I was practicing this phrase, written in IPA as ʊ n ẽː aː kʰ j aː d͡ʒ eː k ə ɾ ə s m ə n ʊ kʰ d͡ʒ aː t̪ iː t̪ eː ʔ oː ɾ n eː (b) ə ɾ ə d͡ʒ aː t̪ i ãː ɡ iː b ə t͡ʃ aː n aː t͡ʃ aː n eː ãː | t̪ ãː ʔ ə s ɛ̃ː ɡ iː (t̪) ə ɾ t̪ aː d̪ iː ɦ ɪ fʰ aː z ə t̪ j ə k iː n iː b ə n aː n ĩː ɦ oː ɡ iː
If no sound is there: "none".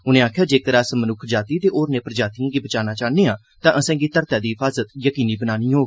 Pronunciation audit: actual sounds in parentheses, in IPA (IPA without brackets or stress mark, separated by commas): p, t̪